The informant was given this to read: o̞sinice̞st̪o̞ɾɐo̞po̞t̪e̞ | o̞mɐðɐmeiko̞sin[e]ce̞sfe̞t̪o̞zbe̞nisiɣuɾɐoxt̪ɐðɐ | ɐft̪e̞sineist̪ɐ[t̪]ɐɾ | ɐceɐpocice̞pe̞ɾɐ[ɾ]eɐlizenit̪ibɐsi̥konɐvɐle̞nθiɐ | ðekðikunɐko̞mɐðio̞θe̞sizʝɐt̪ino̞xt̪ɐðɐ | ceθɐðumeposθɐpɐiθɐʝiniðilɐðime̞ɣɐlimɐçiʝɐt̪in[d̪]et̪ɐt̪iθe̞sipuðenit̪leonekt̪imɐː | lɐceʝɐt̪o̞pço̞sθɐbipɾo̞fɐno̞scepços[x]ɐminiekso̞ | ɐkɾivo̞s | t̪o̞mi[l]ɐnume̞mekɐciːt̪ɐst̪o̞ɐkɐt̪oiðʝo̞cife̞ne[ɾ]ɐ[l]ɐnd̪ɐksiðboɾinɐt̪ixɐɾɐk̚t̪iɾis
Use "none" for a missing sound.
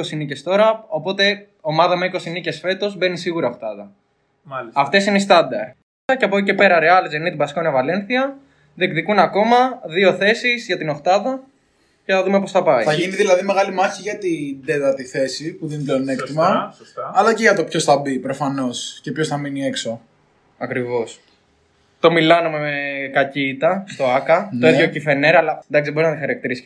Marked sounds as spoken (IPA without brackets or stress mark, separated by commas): i, d̪, ɾ, d̪, θ, l, ɾ, l